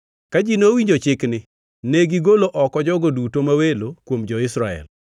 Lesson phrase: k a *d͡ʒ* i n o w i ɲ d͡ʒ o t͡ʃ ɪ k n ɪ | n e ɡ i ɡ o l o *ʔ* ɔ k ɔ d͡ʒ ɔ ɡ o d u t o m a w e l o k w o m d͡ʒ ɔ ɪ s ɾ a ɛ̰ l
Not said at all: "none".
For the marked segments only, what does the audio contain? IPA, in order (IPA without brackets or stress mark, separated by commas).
d͡ʒ, ʔ